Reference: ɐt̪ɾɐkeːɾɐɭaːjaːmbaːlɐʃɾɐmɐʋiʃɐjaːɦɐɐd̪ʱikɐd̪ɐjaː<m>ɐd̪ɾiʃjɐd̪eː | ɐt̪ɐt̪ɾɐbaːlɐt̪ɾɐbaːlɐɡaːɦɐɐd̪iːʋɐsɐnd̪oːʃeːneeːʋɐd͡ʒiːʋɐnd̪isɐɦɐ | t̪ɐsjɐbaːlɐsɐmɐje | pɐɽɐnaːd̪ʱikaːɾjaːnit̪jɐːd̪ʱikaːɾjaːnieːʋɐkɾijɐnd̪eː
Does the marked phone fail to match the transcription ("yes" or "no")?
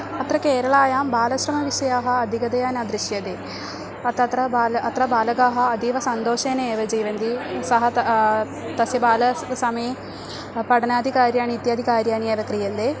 yes